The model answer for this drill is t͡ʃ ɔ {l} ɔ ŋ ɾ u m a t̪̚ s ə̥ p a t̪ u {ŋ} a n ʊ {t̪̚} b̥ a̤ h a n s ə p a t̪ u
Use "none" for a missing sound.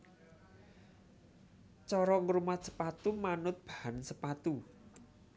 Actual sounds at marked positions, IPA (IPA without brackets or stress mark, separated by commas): ɾ, m, t̪̚